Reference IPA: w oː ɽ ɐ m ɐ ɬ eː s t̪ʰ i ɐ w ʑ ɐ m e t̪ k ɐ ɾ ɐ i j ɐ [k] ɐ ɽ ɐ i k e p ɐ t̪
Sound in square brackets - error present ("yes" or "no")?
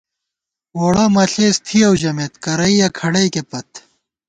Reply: yes